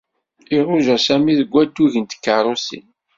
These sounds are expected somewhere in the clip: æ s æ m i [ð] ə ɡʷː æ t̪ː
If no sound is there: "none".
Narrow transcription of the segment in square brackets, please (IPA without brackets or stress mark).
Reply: ð